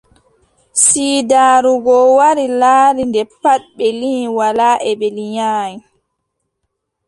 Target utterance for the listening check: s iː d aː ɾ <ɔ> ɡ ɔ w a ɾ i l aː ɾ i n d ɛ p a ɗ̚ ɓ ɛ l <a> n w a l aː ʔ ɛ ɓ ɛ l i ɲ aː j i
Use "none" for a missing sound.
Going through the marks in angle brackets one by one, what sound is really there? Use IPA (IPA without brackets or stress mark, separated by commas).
u, i